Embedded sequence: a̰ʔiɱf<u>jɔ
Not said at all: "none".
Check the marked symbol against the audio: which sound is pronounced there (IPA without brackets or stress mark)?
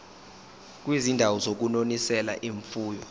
uː